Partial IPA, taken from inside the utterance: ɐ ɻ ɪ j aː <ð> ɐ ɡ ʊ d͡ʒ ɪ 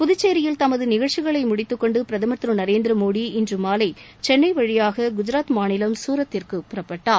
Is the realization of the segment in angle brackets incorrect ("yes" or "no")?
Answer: yes